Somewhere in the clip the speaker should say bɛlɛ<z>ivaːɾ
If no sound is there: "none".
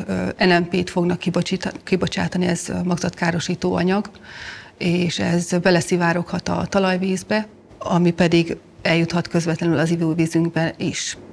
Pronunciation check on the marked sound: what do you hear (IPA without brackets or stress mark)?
s